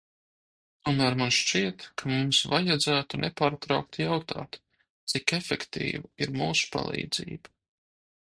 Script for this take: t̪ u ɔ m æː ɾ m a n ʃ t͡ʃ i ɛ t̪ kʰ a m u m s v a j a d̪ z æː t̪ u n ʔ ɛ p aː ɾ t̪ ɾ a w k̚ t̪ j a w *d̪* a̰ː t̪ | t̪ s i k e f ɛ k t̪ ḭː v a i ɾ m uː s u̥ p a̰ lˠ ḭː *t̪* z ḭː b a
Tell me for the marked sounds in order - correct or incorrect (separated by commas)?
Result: incorrect, incorrect